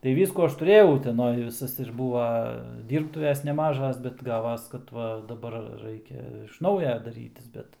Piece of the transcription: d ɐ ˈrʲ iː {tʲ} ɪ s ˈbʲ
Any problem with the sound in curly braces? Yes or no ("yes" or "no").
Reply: no